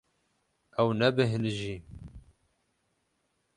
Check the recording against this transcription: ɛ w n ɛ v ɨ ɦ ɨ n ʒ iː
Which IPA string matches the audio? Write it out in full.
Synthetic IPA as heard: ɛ w n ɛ b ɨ ɦ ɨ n ʒ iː